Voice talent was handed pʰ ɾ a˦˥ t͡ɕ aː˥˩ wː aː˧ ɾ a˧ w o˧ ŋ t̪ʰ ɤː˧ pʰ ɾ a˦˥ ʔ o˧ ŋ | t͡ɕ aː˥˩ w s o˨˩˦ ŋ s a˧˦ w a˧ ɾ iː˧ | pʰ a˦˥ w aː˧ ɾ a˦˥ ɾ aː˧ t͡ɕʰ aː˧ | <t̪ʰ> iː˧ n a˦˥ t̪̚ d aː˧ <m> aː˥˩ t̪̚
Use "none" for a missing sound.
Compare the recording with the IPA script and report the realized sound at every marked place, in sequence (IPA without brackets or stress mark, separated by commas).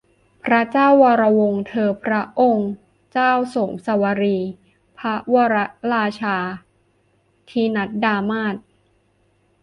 t̪ʰ, m